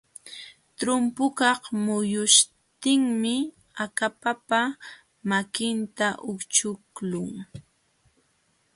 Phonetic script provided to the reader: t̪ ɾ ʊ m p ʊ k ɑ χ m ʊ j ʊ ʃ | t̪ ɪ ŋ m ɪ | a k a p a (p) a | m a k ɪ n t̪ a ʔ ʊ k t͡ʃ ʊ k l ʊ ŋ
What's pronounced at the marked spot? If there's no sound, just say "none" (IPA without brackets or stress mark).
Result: p